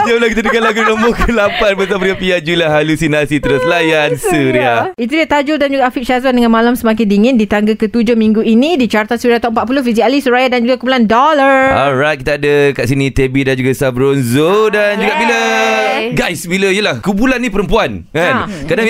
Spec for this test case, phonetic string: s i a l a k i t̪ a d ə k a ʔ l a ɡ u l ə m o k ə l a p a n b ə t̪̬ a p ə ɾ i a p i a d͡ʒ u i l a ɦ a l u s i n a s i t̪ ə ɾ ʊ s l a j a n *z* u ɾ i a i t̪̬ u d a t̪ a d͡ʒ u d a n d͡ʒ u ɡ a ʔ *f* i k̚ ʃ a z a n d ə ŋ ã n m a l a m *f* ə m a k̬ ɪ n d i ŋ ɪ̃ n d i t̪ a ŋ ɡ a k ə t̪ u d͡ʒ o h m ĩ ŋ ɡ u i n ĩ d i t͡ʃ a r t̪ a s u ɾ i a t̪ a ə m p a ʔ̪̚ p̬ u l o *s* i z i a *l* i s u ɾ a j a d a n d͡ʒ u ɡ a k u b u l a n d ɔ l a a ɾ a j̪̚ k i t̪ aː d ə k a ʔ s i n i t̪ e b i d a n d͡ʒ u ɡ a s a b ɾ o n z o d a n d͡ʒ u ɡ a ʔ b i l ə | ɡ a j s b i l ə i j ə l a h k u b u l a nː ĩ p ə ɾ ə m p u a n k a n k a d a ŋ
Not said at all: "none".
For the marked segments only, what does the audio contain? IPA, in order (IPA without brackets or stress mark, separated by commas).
s, f, s, f, l